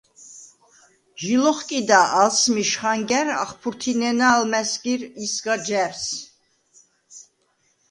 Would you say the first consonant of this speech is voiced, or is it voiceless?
voiced